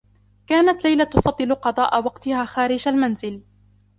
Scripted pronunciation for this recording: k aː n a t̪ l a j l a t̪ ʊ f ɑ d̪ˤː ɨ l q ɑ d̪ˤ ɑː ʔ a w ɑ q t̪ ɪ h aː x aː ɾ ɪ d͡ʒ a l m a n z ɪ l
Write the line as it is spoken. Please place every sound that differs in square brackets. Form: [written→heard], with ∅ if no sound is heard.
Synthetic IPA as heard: k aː n a t̪ l a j l a t̪ ʊ f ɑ d̪ˤː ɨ l q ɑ d̪ˤ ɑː ʔ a w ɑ q t̪ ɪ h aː x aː ɾ ɪ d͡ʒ a l m a n z ɪ l